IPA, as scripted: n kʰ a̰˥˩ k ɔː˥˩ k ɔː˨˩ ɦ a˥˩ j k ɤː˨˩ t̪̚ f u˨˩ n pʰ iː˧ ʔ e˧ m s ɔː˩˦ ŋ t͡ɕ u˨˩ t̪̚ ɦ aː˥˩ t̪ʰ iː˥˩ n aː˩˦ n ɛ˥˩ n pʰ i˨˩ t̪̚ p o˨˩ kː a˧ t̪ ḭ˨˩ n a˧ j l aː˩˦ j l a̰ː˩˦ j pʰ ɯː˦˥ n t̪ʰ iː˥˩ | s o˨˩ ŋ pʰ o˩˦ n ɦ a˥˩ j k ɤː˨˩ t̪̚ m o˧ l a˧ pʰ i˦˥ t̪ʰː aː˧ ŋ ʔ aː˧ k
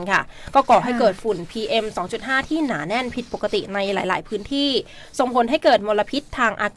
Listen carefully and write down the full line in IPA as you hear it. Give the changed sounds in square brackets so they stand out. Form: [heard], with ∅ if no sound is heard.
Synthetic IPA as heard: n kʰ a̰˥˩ k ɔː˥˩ k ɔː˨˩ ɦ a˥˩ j k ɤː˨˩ t̪̚ f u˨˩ n pʰ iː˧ ʔ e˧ m s ɔː˩˦ ŋ t͡ɕ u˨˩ t̪̚ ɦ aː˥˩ t̪ʰ iː˥˩ n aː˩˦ n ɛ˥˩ n pʰ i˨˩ t̪̚ p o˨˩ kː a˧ t̪ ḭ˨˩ n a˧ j l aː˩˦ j l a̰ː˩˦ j pʰ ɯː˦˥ n t̪ʰ iː˥˩ | s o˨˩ ŋ pʰ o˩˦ n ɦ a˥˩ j k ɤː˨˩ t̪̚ m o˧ l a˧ pʰ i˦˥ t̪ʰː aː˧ ŋ ʔ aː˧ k